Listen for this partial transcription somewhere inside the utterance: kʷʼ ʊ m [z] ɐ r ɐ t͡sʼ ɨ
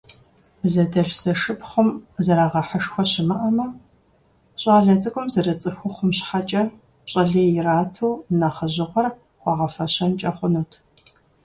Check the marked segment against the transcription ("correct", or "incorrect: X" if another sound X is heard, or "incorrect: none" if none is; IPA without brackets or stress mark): correct